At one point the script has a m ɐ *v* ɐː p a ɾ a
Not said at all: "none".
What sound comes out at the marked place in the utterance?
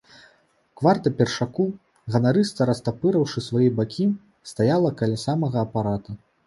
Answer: ɣ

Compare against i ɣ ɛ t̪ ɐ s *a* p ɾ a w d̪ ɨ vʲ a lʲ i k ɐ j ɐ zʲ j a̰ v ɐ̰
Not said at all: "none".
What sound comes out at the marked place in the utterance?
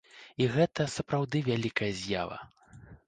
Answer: ɐ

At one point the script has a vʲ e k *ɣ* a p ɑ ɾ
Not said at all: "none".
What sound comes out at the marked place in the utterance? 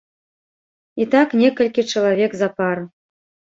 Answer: z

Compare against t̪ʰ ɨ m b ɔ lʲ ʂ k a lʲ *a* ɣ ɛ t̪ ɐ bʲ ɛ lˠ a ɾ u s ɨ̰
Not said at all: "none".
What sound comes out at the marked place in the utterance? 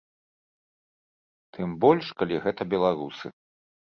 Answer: i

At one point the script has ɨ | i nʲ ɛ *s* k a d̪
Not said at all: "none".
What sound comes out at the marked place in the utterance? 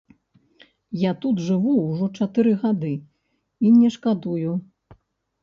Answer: ʂ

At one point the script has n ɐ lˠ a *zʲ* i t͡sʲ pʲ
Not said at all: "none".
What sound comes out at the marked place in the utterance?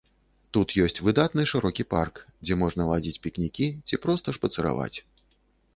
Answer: d͡zʲ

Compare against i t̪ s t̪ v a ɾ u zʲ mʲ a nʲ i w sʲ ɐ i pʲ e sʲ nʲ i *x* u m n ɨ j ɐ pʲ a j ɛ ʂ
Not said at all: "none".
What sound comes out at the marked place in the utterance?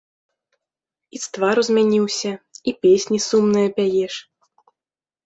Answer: s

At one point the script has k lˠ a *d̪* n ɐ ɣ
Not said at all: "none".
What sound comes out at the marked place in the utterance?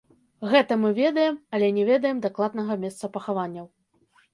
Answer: d̪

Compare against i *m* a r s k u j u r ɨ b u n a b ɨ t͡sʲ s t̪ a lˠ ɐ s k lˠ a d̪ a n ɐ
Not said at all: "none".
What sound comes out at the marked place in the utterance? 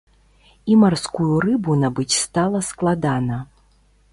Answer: m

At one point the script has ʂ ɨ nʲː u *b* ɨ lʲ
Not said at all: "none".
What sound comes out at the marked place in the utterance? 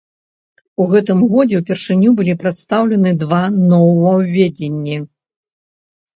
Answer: b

